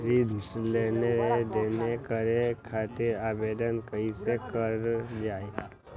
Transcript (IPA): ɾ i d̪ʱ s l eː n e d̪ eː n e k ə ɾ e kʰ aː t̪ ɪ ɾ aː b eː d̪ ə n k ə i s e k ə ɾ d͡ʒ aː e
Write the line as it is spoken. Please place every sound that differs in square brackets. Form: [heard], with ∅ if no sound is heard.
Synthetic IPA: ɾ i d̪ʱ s l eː n e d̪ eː n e k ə ɾ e kʰ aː t̪ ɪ ɾ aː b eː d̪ ə n k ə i s e k ə ɾ d͡ʒ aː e